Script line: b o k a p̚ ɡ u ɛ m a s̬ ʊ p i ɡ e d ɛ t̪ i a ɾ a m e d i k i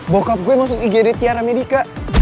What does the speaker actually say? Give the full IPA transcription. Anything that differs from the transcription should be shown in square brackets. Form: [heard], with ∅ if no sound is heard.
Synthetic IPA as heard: b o k a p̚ ɡ u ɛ m a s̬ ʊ [k] i ɡ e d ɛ t̪ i a ɾ a m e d i k [a]